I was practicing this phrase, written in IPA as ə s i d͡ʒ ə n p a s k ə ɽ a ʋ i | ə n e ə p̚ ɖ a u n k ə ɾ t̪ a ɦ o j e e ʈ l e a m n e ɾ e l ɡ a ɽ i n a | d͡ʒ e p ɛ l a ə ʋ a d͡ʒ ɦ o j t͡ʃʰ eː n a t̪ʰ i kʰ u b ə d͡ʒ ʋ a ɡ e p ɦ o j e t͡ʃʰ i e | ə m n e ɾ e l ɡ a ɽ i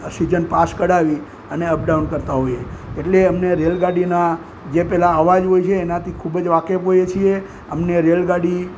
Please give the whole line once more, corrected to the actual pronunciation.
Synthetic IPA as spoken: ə s i d͡ʒ ə n p a s k ə ɽ a ʋ i | ə n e ə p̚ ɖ a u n k ə ɾ t̪ a ɦ o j e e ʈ l e ə m n e ɾ e l ɡ a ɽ i n a | d͡ʒ e p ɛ l a ə ʋ a d͡ʒ ɦ o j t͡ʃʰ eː n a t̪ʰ i kʰ u b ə d͡ʒ ʋ a k e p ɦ o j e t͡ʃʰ i e | ə m n e ɾ e l ɡ a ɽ i